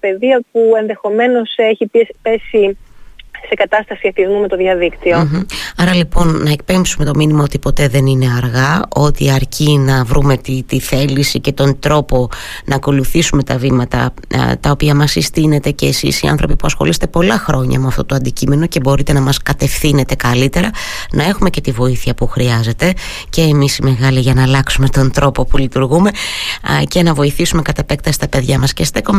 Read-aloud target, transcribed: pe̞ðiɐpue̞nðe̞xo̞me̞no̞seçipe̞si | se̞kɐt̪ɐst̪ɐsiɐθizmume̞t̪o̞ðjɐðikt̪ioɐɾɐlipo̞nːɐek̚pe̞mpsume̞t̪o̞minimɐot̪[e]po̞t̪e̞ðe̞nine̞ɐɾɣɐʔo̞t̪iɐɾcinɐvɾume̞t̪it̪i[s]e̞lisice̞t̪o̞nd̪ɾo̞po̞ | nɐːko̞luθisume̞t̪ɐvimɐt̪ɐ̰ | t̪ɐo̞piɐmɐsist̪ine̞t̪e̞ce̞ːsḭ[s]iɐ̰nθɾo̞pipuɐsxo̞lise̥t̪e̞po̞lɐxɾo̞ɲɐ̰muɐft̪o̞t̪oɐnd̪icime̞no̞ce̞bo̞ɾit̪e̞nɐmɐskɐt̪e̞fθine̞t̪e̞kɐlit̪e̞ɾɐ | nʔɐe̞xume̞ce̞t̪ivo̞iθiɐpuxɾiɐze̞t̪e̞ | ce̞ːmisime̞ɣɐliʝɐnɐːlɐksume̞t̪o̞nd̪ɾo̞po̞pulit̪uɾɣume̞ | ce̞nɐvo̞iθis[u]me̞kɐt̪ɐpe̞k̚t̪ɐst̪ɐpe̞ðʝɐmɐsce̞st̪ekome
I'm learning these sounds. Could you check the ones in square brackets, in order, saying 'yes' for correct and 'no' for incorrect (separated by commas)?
no, no, yes, yes